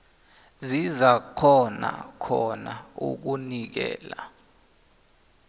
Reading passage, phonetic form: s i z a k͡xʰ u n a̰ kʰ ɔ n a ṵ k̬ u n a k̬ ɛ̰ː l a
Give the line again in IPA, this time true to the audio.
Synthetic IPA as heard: z i z a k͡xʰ ɔ n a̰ kʰ ɔ n a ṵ k̬ u n i k̬ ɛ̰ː l a